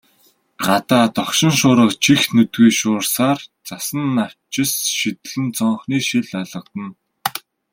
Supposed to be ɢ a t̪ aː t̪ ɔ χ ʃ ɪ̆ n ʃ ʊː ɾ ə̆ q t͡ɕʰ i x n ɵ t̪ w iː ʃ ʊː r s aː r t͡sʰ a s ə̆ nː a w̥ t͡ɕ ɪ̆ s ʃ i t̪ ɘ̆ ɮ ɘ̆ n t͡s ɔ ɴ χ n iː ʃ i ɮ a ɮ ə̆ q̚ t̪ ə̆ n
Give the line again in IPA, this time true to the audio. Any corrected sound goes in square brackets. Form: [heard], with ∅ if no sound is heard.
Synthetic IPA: ɢ a t̪ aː t̪ ɔ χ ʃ ɪ̆ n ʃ ʊː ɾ ə̆ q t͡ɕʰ i x n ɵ t̪ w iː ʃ ʊː r s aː r [t͡s] a s ə̆ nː a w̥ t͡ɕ ɪ̆ s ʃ i t̪ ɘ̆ ɮ ɘ̆ n t͡s ɔ ɴ χ n iː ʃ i ɮ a ɮ ə̆ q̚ t̪ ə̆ n